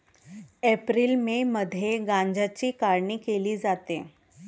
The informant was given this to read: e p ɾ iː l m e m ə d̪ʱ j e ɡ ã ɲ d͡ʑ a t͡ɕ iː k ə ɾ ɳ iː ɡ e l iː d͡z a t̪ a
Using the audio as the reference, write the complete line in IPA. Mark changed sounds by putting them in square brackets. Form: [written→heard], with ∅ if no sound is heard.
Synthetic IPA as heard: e p ɾ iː l m e m ə d̪ʱ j e ɡ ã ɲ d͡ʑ a t͡ɕ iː k [ə→a] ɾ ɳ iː [ɡ→k] e l iː d͡z a t̪ [a→e]